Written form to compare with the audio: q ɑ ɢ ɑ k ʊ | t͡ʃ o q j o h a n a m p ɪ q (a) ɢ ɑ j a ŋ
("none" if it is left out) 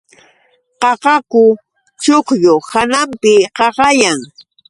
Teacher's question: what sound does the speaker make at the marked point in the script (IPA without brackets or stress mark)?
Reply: ɑ